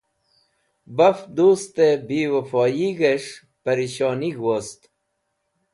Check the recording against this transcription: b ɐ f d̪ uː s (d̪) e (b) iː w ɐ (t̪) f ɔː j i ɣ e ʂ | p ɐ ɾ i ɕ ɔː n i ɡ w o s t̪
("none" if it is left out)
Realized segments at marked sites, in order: t̪, b, none

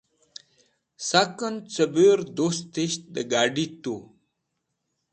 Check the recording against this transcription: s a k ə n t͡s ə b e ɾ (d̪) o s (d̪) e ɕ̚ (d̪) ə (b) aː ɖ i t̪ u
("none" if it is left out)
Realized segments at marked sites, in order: d̪, t̪, d̪, ɡ

